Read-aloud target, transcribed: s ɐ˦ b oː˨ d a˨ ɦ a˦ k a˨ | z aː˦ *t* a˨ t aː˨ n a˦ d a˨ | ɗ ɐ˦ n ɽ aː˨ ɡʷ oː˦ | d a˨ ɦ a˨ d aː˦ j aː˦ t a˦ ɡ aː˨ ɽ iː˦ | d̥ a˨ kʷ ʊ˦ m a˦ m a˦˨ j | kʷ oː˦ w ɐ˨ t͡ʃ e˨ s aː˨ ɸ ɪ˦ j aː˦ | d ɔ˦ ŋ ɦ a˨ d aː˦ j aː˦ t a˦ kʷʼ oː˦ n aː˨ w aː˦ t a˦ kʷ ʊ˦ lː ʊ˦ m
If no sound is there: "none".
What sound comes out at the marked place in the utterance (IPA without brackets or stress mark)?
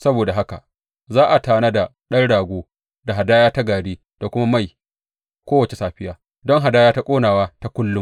ʔ